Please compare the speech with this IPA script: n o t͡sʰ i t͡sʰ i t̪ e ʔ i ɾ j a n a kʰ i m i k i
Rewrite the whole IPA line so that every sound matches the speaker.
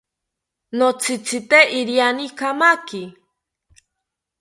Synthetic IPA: n o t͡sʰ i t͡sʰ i t̪ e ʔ i ɾ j a n i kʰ a m a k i